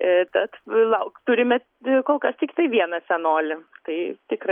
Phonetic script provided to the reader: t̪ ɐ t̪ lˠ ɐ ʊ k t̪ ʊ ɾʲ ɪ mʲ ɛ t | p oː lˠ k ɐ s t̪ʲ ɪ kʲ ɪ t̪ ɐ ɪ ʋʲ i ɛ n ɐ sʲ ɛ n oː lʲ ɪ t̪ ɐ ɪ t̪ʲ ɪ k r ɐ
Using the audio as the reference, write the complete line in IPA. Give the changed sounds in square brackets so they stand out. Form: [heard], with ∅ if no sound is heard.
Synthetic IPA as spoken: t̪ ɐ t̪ lˠ ɐ ʊ k t̪ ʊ ɾʲ ɪ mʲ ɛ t | [k] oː lˠ k ɐ s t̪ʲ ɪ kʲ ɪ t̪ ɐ ɪ ʋʲ i ɛ n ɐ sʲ ɛ n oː lʲ ɪ t̪ ɐ ɪ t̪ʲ ɪ k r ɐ